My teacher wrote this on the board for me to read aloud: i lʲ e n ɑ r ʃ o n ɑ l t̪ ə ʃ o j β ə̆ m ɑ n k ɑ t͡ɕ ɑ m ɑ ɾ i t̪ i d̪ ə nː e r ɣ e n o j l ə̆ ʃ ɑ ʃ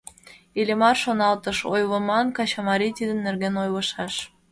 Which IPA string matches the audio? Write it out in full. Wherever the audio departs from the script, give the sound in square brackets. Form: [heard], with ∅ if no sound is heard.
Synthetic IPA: i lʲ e [m] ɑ r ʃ o n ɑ l t̪ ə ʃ o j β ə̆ m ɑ n k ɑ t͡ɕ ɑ m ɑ ɾ i t̪ i d̪ ə nː e r ɣ e n o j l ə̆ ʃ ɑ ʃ